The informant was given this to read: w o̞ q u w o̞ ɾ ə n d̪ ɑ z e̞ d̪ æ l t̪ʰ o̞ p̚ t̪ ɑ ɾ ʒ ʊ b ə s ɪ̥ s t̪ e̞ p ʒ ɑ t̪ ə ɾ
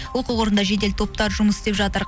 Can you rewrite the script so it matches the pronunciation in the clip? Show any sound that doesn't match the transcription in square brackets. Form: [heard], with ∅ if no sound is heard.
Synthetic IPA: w o̞ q u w o̞ ɾ ə n d̪ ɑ [ʒ] e̞ d̪ [e] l t̪ʰ o̞ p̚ t̪ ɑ ɾ ʒ ʊ [m] ə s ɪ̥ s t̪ e̞ p ʒ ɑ t̪ ə ɾ